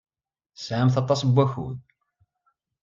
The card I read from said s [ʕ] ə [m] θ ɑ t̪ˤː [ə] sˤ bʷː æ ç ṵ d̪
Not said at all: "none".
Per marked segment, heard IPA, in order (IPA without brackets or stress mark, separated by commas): ʕ, m, ɑ